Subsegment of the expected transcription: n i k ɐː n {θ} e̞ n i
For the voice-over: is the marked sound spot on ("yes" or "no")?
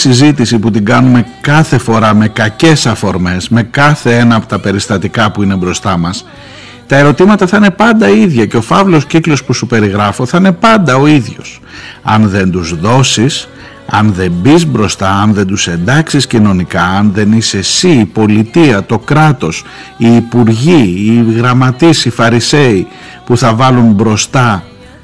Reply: no